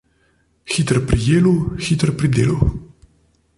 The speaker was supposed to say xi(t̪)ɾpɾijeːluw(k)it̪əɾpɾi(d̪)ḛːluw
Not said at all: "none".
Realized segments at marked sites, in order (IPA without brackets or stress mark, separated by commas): t̪, x, d̪